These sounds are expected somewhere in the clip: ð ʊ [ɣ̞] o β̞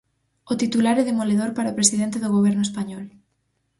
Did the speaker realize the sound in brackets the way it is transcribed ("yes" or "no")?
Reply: yes